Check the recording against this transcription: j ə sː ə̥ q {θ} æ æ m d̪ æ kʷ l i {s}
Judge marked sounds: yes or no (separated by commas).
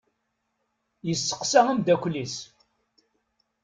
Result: no, yes